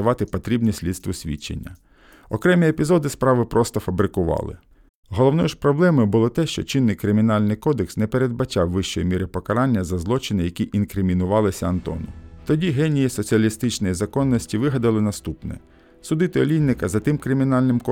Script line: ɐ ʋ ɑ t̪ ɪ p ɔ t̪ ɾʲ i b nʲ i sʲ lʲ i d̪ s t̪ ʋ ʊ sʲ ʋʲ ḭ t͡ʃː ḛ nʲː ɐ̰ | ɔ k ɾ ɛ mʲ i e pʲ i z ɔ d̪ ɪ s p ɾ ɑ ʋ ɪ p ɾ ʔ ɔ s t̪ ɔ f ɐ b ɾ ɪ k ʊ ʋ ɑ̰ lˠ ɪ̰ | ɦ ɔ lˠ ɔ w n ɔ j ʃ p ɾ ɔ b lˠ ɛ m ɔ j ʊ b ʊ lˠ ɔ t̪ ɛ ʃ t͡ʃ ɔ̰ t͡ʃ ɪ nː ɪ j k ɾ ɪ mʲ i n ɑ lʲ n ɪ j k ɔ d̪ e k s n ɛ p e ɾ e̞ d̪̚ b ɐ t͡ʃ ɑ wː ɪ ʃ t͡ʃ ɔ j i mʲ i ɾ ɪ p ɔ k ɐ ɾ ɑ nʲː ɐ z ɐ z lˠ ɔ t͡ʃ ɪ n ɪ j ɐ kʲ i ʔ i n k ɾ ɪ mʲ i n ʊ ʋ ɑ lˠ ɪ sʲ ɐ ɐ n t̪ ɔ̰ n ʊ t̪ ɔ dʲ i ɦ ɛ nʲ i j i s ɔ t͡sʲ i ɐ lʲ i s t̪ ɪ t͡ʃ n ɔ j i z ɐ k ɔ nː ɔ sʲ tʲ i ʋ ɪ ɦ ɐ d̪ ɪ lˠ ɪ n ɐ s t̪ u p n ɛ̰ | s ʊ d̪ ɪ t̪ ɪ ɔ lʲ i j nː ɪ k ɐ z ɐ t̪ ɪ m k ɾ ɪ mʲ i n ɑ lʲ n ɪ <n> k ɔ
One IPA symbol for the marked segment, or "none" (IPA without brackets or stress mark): m